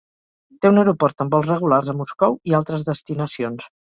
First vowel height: mid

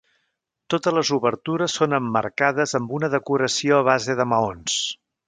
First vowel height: mid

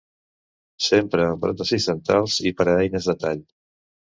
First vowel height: mid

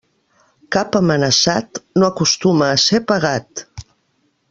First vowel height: low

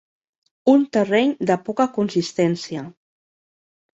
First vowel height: high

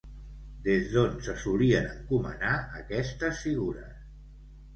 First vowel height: mid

